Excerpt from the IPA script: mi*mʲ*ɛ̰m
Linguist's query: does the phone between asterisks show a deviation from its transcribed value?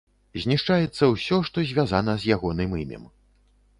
no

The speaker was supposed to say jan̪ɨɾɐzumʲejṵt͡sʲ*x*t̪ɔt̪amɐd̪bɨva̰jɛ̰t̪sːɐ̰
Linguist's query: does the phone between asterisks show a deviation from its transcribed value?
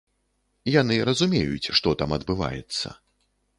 yes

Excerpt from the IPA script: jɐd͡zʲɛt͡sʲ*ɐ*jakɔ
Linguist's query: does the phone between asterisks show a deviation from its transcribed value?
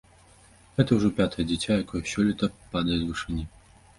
yes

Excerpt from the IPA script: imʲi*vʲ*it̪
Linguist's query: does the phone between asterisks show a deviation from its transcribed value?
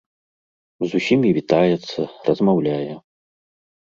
no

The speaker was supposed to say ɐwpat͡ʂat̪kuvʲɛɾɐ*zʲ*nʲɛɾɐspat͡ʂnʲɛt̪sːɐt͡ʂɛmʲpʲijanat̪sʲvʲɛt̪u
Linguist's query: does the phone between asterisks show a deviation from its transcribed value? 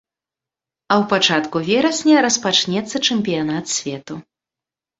yes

